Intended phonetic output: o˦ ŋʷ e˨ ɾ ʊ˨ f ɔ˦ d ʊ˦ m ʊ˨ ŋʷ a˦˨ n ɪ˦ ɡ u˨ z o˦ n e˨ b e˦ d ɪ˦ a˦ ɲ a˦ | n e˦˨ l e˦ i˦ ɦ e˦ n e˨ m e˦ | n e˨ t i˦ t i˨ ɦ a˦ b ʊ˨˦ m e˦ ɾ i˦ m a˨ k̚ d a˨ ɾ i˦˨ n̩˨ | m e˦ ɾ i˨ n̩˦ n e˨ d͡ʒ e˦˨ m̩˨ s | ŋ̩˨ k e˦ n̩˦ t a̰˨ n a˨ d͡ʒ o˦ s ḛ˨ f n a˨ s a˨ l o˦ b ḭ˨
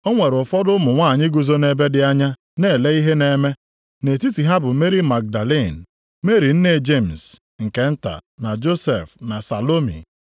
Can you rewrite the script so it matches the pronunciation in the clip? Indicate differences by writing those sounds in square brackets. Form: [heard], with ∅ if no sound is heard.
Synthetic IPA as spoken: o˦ ŋʷ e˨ ɾ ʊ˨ f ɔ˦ d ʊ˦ m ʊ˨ ŋʷ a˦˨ [ɲ] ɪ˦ ɡ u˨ z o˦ n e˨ b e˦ d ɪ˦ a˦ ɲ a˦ | n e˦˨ l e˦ i˦ ɦ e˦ n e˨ m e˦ | n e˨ t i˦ t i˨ ɦ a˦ b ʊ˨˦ m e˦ ɾ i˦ m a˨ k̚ d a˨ [l] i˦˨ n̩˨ | m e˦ ɾ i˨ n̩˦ n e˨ d͡ʒ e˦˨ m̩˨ s | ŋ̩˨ k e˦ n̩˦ t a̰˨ n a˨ d͡ʒ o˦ s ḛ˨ f n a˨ s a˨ l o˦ [m] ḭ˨